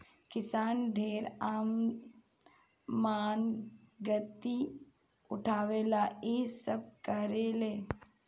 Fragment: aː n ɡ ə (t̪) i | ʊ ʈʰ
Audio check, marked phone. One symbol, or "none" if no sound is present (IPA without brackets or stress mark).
t̪